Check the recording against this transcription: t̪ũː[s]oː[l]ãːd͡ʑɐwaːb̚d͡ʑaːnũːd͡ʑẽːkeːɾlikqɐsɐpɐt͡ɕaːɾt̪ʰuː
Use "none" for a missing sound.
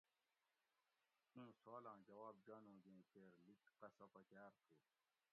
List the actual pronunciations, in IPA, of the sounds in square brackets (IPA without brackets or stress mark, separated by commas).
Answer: s, l